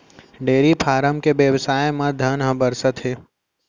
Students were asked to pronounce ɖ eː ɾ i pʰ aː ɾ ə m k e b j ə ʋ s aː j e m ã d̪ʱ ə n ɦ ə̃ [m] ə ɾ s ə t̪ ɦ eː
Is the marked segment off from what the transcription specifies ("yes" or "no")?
yes